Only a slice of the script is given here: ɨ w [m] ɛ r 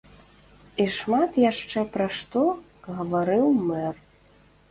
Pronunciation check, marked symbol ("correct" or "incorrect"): correct